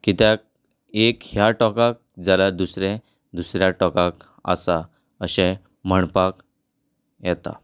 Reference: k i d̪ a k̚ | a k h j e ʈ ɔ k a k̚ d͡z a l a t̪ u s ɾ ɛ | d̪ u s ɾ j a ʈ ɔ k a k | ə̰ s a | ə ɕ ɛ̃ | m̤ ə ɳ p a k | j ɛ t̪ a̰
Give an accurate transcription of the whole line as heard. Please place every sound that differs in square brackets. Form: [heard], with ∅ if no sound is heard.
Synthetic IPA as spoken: k i [t̪] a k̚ | [e] k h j [a] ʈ ɔ k a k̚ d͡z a l a [d̪] u s ɾ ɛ | d̪ u s ɾ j a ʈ ɔ k a k | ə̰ s a | ə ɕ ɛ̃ | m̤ ə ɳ p a k | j ɛ t̪ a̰